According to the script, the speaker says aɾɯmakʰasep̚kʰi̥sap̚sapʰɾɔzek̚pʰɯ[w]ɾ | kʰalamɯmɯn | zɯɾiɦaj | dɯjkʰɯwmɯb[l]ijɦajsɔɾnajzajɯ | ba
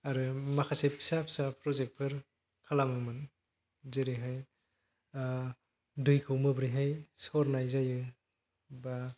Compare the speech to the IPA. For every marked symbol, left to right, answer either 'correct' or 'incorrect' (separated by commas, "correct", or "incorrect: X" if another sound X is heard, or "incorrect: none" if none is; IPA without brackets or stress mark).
incorrect: none, incorrect: ɾ